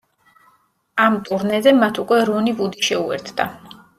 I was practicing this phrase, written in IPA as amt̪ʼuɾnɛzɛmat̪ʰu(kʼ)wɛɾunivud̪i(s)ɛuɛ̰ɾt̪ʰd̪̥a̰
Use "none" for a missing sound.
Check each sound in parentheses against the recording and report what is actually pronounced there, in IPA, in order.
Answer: kʼ, ʃ

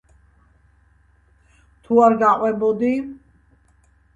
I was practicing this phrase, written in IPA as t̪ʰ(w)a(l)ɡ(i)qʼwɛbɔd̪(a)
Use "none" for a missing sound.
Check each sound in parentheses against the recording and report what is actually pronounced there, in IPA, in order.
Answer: u, ɾ, a, i

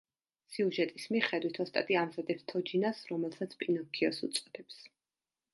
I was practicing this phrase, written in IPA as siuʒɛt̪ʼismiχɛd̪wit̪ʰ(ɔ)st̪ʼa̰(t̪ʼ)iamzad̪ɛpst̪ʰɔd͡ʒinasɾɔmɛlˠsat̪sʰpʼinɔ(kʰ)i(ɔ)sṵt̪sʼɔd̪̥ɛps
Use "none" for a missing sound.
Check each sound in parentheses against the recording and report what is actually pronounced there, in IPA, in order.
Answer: ɔ, t̪ʼ, kʰ, ɔ

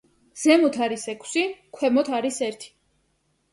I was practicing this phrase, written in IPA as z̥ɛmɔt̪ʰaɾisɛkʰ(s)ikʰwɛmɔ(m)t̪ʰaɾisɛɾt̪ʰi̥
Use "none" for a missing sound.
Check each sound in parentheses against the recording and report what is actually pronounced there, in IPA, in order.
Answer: s, none

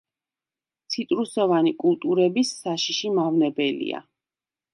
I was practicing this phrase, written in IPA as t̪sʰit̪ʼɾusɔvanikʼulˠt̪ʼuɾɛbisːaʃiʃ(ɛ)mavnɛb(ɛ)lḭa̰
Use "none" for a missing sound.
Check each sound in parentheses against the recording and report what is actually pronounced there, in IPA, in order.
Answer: i, ɛ

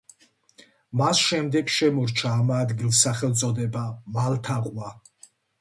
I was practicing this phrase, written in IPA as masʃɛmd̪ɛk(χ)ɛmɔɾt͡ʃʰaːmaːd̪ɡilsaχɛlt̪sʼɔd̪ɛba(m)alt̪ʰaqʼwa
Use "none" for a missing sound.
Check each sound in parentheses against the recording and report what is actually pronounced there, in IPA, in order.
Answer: ʃ, m

